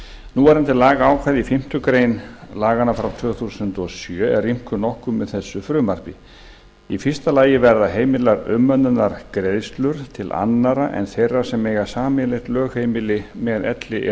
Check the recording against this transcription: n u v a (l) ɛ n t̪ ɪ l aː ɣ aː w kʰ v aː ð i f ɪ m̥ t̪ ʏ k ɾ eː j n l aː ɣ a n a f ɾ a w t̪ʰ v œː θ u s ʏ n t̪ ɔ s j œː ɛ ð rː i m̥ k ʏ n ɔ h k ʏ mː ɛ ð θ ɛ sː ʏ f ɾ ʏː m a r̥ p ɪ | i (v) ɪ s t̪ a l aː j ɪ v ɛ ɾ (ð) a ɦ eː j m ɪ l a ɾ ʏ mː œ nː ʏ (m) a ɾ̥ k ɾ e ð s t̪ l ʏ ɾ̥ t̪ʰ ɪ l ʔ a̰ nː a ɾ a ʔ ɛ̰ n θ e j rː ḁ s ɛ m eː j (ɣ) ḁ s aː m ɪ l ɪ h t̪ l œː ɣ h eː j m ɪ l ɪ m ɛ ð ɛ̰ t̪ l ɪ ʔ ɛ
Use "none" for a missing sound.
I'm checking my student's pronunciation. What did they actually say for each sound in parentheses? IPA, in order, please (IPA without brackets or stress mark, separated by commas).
ɾ, f, ð, n, ɣ